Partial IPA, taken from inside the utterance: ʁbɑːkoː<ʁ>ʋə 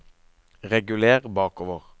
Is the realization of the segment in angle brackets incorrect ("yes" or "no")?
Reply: yes